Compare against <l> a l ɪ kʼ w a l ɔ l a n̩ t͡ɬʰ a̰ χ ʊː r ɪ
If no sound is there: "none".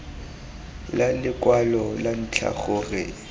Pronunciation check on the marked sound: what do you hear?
l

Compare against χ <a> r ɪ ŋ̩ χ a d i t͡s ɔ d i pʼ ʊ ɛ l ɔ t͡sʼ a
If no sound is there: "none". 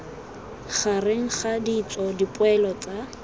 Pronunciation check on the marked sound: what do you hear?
a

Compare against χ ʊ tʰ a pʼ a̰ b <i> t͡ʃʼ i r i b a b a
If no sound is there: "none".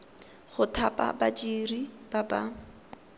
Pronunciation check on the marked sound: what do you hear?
a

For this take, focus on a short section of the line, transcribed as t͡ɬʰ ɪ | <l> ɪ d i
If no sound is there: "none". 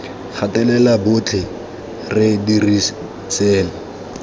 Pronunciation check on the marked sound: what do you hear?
r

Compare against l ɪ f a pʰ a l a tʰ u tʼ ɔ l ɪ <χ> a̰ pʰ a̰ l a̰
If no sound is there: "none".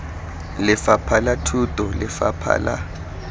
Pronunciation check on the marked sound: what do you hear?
f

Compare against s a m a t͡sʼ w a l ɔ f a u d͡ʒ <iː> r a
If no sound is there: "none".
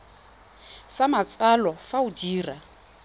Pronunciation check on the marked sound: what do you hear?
iː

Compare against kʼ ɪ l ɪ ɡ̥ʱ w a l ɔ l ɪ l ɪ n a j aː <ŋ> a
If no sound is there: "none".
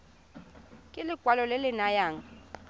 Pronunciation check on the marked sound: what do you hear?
ŋ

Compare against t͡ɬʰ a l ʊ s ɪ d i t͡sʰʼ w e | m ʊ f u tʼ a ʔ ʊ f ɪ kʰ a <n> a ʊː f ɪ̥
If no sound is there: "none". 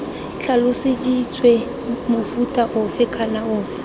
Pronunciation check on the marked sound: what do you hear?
n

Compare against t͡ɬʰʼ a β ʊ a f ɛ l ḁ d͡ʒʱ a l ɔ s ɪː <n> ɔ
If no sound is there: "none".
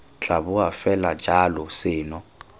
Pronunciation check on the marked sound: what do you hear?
n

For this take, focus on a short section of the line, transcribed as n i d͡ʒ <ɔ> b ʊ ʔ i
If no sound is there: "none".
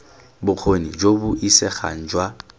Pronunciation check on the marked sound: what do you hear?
o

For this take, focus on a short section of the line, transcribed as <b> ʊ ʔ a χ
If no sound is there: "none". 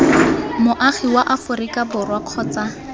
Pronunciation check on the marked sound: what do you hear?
m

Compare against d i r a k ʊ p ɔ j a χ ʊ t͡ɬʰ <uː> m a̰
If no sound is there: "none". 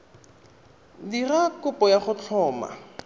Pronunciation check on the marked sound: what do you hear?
ɔː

